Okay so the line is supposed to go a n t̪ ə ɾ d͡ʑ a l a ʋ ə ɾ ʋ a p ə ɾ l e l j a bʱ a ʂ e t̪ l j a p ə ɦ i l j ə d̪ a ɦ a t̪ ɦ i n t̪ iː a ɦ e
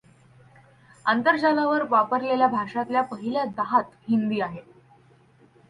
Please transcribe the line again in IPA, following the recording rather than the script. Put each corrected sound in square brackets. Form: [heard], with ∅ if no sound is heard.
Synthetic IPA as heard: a n t̪ ə ɾ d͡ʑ a l a ʋ ə ɾ ʋ a p ə ɾ l e l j a bʱ a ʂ [a] t̪ l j a p ə ɦ i l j [a] d̪ a ɦ a t̪ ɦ i n [d̪] iː a ɦ e